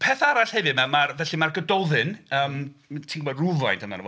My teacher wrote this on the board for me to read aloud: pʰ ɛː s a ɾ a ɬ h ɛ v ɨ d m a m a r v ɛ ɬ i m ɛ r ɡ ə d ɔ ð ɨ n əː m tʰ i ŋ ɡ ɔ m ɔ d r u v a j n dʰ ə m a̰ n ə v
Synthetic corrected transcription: pʰ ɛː θ a ɾ a ɬ h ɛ v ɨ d m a m a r v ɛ ɬ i m a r ɡ ə d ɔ ð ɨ n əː m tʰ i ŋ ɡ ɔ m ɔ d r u v a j n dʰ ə m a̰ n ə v